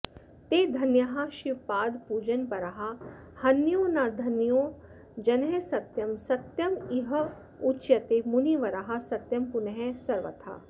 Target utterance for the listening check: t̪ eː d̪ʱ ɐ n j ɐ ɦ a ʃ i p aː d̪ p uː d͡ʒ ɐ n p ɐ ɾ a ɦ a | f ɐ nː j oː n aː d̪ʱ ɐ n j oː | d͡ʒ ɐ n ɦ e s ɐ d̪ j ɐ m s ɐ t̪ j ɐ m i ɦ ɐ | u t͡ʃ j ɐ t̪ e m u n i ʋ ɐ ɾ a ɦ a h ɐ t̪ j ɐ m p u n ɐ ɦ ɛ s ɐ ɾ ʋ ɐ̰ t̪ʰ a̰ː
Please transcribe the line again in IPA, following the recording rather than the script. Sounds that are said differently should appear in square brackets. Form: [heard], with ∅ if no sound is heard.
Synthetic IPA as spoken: t̪ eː d̪ʱ ɐ n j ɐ ɦ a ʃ i p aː d̪ p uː d͡ʒ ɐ n p ɐ ɾ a ɦ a | [h] ɐ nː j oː n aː d̪ʱ ɐ n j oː | d͡ʒ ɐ n ɦ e s ɐ [t̪] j ɐ m s ɐ t̪ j ɐ m i ɦ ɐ | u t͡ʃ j ɐ t̪ e m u n i ʋ ɐ ɾ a ɦ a [s] ɐ t̪ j ɐ m p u n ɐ ɦ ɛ s ɐ ɾ ʋ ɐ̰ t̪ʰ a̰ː

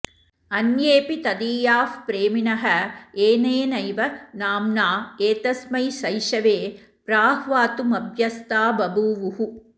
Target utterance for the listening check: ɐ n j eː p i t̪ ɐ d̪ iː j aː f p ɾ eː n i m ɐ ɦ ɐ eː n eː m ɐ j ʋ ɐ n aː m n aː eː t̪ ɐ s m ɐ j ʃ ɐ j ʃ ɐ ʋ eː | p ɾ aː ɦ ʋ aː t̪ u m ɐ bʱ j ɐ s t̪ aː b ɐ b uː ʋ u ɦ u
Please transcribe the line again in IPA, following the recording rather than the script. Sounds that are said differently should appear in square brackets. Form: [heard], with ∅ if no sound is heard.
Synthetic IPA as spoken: ɐ n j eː p i t̪ ɐ d̪ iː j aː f p ɾ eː [m] i [n] ɐ ɦ ɐ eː n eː [n] ɐ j ʋ ɐ n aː m n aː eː t̪ ɐ s m ɐ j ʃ ɐ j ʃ ɐ ʋ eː | p ɾ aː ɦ ʋ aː t̪ u m ɐ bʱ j ɐ s t̪ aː b ɐ b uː ʋ u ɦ u

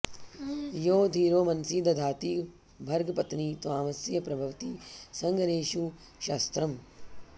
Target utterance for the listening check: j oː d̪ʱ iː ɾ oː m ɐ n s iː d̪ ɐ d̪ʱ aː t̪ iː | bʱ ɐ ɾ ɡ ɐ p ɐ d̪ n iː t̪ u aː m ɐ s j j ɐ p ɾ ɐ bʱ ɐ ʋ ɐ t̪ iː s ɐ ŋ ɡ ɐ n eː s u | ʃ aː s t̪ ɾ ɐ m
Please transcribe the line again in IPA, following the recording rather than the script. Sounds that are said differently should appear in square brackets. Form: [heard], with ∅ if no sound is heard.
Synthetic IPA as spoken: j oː d̪ʱ iː ɾ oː m ɐ n s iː d̪ ɐ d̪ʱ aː t̪ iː | bʱ ɐ ɾ ɡ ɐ p ɐ [t̪] n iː t̪ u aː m ɐ s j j ɐ p ɾ ɐ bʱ ɐ ʋ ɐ t̪ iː s ɐ ŋ ɡ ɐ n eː [ʃ] u | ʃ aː s t̪ ɾ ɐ m

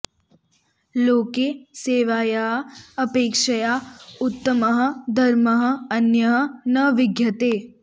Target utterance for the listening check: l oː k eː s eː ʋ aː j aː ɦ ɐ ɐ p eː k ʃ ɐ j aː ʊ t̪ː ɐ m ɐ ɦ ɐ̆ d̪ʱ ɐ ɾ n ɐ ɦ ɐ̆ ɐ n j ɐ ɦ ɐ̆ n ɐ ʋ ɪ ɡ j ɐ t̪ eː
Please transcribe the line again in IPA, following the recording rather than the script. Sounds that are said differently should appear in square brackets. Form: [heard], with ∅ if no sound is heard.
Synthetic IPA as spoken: l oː k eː s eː ʋ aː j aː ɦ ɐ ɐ p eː k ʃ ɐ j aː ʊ t̪ː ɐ m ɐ ɦ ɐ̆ d̪ʱ ɐ ɾ [m] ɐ ɦ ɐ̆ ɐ n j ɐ ɦ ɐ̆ n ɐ ʋ ɪ ɡ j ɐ t̪ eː

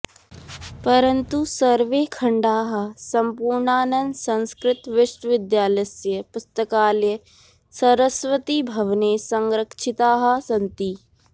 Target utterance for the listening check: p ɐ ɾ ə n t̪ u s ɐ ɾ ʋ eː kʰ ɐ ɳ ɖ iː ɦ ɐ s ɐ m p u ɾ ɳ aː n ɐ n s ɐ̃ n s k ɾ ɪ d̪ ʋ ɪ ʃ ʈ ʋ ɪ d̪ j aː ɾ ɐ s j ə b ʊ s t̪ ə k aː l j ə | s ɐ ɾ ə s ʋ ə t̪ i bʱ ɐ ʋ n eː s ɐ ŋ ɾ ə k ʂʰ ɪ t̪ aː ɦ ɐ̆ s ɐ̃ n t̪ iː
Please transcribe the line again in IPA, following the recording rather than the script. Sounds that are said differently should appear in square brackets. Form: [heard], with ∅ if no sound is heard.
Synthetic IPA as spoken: p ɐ ɾ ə n t̪ u s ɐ ɾ ʋ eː kʰ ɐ ɳ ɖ [aː] ɦ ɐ s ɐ m p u ɾ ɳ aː n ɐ n s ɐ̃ n s k ɾ ɪ [t̪] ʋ ɪ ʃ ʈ ʋ ɪ d̪ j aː [l] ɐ s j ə [p] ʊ s t̪ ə k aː l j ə | s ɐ ɾ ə s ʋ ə t̪ i bʱ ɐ ʋ n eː s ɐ ŋ ɾ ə k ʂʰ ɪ t̪ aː ɦ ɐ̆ s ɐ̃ n t̪ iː

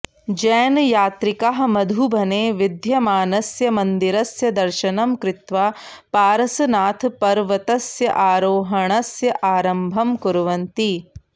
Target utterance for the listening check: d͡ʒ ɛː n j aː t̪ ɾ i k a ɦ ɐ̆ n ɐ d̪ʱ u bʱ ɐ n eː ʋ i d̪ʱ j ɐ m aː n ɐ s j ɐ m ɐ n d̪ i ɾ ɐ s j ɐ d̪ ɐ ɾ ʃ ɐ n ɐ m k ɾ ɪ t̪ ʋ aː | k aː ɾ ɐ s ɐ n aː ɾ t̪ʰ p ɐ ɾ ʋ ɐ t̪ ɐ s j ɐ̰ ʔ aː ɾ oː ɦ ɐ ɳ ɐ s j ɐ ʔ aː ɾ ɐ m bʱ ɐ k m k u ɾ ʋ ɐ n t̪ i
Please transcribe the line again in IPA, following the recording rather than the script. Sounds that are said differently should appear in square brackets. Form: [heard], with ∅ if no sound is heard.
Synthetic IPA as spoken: d͡ʒ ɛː n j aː t̪ ɾ i k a ɦ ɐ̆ [m] ɐ d̪ʱ u bʱ ɐ n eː ʋ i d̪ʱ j ɐ m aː n ɐ s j ɐ m ɐ n d̪ i ɾ ɐ s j ɐ d̪ ɐ ɾ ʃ ɐ n ɐ m k ɾ ɪ t̪ ʋ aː | [p] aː ɾ ɐ s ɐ n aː [∅] t̪ʰ p ɐ ɾ ʋ ɐ t̪ ɐ s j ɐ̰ ʔ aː ɾ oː ɦ ɐ ɳ ɐ s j ɐ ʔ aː ɾ ɐ m bʱ ɐ [∅] m k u ɾ ʋ ɐ n t̪ i

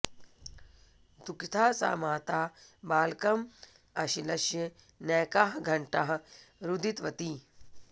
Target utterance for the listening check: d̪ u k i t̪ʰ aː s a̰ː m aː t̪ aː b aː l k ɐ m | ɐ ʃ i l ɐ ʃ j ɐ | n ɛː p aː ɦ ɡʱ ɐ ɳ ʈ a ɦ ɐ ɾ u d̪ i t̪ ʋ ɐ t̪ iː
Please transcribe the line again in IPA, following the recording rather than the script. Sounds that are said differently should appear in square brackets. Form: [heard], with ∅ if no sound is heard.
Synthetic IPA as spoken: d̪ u k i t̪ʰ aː s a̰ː m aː t̪ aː b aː l k ɐ m | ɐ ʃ i l ɐ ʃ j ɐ | n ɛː [k] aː ɦ ɡʱ ɐ ɳ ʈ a ɦ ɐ ɾ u d̪ i t̪ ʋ ɐ t̪ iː

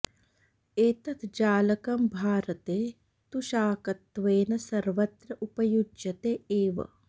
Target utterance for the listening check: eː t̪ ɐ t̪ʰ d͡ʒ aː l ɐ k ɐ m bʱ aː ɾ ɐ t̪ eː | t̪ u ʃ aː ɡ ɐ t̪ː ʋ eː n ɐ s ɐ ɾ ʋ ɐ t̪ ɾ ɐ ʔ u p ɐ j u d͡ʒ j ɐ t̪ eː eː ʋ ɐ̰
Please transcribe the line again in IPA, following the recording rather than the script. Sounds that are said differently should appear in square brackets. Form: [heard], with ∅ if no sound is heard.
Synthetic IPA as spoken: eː t̪ ɐ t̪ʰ d͡ʒ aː l ɐ k ɐ m bʱ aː ɾ ɐ t̪ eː | t̪ u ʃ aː [k] ɐ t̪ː ʋ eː n ɐ s ɐ ɾ ʋ ɐ t̪ ɾ ɐ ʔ u p ɐ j u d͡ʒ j ɐ t̪ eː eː ʋ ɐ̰

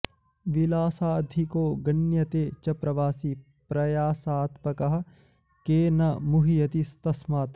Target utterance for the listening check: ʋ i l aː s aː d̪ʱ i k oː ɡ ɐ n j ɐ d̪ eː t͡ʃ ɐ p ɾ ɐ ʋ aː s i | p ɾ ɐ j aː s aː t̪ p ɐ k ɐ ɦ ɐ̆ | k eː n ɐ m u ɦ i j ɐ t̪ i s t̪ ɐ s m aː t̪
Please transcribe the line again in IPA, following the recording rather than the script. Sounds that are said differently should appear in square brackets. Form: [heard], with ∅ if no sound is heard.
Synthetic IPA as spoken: ʋ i l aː s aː d̪ʱ i k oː ɡ ɐ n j ɐ [t̪] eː t͡ʃ ɐ p ɾ ɐ ʋ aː s i | p ɾ ɐ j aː s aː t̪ p ɐ k ɐ ɦ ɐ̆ | k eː n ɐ m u ɦ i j ɐ t̪ i s t̪ ɐ s m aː t̪

